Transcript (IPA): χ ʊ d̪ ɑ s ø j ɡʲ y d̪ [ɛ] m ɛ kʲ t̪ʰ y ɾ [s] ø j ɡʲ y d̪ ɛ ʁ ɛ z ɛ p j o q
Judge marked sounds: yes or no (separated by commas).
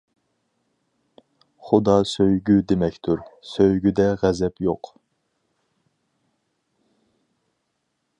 no, yes